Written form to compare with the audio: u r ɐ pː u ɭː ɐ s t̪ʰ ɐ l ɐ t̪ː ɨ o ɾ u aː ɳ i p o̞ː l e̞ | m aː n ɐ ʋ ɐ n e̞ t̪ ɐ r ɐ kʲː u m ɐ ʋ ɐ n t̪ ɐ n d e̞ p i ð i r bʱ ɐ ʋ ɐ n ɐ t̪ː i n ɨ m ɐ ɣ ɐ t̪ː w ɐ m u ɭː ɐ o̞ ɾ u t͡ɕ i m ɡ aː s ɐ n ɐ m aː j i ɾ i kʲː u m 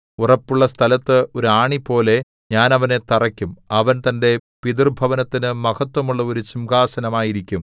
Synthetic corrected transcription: u r ɐ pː u ɭː ɐ s t̪ʰ ɐ l ɐ t̪ː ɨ o ɾ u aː ɳ i p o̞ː l e̞ | ɲ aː n ɐ ʋ ɐ n e̞ t̪ ɐ r ɐ kʲː u m ɐ ʋ ɐ n t̪ ɐ n d e̞ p i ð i r bʱ ɐ ʋ ɐ n ɐ t̪ː i n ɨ m ɐ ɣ ɐ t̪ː w ɐ m u ɭː ɐ o̞ ɾ u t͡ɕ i m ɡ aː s ɐ n ɐ m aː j i ɾ i kʲː u m